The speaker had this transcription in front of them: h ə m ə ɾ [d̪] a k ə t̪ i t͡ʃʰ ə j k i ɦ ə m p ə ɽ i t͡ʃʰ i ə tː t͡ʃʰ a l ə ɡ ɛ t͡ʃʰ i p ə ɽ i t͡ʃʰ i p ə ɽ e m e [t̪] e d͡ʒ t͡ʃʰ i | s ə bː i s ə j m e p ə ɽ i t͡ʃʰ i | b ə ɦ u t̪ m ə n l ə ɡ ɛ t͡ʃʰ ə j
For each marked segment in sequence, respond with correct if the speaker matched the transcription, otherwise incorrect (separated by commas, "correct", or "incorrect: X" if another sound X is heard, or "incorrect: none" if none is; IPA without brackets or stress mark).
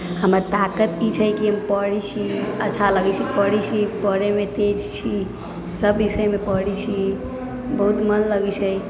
incorrect: t̪, correct